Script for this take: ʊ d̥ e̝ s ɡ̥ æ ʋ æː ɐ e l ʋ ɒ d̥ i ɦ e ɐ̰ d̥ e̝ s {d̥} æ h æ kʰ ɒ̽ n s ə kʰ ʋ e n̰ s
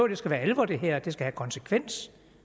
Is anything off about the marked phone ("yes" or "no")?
yes